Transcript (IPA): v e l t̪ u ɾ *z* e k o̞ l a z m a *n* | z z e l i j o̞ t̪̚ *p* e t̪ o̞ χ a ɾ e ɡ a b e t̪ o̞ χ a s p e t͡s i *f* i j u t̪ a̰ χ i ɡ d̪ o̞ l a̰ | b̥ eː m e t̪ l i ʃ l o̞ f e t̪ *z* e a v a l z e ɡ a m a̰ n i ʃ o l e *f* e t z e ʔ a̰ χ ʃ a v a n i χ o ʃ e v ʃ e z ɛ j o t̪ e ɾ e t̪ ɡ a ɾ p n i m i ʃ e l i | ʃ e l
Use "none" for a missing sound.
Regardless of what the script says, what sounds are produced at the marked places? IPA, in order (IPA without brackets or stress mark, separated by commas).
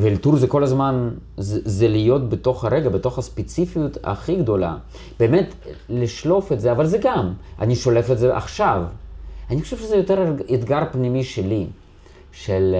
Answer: z, n, b, f, z, f